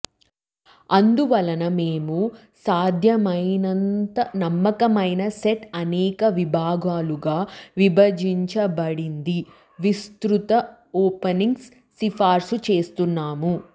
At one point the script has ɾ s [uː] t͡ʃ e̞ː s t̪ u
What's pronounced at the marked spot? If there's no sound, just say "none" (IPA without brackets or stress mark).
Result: u